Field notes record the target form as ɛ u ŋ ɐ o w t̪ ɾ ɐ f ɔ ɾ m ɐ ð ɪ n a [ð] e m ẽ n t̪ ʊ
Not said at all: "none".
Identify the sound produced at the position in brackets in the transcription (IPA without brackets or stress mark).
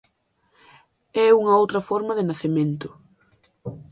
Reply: θ